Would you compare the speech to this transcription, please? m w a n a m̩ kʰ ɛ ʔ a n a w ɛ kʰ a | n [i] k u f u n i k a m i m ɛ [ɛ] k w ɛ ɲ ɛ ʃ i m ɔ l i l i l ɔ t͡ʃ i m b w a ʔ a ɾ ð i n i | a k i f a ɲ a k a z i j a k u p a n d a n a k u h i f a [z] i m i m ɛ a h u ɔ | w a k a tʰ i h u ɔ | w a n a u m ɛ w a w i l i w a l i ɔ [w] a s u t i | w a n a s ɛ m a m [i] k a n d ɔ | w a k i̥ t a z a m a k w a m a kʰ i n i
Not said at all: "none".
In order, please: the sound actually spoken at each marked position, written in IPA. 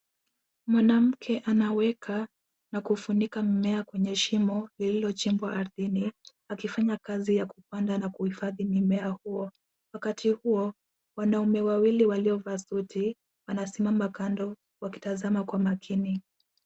a, a, ð, v, a

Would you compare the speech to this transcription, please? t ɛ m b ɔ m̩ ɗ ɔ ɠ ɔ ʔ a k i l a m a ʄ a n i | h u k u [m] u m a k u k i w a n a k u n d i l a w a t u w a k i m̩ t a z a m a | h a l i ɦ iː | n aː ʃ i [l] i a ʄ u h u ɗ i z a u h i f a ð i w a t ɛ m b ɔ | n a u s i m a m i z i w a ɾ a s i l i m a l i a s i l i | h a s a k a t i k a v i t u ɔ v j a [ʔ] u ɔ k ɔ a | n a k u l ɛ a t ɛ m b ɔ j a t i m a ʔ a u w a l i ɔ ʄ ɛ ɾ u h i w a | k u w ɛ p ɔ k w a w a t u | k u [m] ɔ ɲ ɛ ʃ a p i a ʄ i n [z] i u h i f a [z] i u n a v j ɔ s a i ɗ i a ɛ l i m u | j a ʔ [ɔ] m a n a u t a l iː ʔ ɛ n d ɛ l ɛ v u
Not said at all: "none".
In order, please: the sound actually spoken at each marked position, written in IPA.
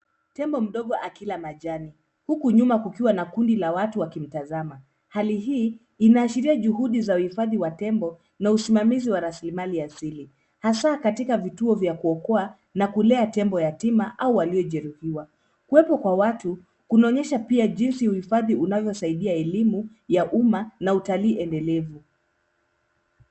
ɲ, ɾ, k, n, s, ð, u

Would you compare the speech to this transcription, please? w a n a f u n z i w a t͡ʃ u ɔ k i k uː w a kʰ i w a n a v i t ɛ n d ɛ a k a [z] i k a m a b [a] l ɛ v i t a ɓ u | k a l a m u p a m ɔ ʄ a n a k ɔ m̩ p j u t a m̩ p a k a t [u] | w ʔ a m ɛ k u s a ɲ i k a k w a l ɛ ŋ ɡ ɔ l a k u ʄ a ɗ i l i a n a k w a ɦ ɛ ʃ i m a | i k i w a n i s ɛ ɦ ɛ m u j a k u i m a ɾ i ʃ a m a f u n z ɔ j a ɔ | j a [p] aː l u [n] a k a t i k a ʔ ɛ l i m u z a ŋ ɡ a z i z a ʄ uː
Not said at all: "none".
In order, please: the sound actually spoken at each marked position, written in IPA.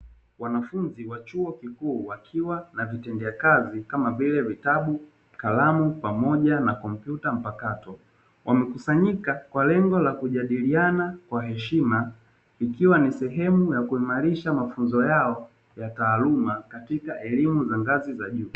z, i, ɔ, t, m

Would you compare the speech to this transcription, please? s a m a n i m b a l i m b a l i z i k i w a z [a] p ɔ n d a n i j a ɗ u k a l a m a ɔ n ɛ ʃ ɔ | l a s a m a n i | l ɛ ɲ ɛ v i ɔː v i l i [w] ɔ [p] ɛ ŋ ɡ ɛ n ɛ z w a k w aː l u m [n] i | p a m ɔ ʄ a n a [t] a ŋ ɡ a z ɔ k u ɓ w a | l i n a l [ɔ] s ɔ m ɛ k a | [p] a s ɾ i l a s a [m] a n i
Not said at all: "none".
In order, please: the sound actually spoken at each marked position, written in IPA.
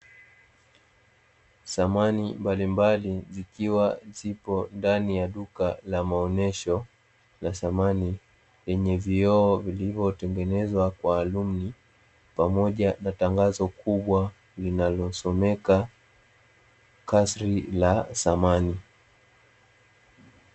i, v, t, n, t, ɔ, k, m

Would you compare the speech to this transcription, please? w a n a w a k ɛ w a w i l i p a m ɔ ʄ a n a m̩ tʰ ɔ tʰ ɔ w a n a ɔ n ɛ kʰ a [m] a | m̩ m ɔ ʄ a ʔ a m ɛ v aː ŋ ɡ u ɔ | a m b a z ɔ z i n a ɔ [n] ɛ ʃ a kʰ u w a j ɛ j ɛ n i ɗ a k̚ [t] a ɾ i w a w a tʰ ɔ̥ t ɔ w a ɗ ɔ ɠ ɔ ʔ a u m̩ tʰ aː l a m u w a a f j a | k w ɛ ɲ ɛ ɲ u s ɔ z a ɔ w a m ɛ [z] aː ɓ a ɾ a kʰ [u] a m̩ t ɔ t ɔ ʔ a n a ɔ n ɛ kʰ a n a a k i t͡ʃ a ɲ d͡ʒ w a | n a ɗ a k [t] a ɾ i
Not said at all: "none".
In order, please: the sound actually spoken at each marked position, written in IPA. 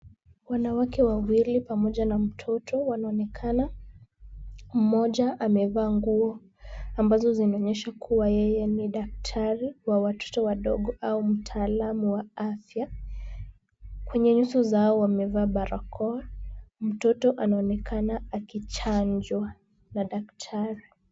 n, ɲ, tʰ, v, ɔ, tʰ

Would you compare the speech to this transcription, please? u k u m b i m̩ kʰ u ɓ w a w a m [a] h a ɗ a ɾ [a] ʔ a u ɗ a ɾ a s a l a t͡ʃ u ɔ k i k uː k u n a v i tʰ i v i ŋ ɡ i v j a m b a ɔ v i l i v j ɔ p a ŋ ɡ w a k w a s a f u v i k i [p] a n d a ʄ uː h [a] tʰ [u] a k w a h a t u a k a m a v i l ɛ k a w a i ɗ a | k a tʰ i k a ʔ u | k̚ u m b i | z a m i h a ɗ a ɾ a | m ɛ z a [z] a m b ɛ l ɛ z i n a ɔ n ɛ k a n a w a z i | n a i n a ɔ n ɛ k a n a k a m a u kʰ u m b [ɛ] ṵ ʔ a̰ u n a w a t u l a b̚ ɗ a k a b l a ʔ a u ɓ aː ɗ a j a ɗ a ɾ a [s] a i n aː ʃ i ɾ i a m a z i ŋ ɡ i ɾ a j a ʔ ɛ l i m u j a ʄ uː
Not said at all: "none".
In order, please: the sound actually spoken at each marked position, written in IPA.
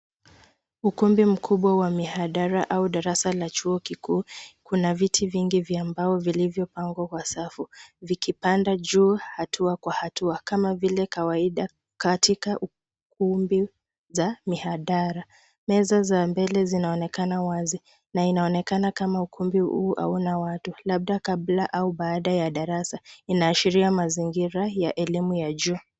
i, a, p, a, u, z, i, s

